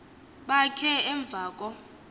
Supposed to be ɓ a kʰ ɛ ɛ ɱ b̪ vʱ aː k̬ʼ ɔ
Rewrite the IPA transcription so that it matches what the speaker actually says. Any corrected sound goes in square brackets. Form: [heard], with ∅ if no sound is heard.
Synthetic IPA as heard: ɓ a kʰ ɛ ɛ ɱ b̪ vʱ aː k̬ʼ ɔ